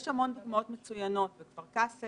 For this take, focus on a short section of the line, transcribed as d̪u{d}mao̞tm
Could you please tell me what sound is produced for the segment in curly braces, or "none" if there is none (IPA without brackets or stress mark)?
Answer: ɡ